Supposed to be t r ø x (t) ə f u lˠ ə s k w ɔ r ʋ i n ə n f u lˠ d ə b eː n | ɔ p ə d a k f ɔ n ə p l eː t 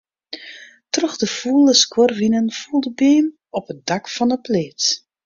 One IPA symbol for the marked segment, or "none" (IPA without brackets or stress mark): d